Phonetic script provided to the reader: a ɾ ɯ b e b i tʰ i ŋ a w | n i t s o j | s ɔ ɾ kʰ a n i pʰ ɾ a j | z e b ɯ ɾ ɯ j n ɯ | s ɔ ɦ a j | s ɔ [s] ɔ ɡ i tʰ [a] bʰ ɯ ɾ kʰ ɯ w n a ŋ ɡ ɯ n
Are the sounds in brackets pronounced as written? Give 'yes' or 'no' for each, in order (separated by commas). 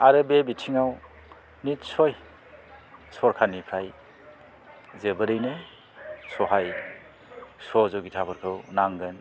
no, yes